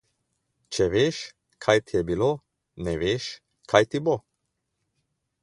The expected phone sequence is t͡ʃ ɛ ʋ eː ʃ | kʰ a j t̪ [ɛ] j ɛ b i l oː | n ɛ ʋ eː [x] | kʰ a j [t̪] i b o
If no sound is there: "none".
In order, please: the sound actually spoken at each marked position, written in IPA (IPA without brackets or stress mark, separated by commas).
i, ʃ, t̪